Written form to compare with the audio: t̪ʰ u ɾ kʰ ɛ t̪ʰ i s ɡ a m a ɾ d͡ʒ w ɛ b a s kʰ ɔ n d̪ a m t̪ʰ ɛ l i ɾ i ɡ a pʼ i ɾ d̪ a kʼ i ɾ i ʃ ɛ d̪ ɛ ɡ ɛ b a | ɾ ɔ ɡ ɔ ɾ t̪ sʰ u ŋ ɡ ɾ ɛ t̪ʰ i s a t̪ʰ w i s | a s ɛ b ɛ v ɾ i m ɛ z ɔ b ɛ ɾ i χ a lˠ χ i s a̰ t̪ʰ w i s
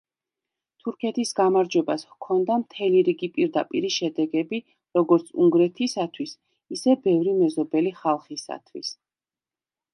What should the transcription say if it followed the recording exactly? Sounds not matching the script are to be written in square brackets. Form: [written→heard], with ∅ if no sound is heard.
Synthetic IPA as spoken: t̪ʰ u ɾ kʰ ɛ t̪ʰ i s ɡ a m a ɾ d͡ʒ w ɛ b a s kʰ ɔ n d̪ a m t̪ʰ ɛ l i ɾ i ɡ [a→i] pʼ i ɾ d̪ a [kʼ→pʼ] i ɾ i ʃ ɛ d̪ ɛ ɡ ɛ b [a→i] | ɾ ɔ ɡ ɔ ɾ t̪ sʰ u ŋ ɡ ɾ ɛ t̪ʰ i s a t̪ʰ w i s | [a→i] s ɛ b ɛ v ɾ i m ɛ z ɔ b ɛ [ɾ→l] i χ a lˠ χ i s a̰ t̪ʰ w i s